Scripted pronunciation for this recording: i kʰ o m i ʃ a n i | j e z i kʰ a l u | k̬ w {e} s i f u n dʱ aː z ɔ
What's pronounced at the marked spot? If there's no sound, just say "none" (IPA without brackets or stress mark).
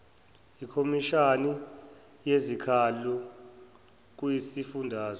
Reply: i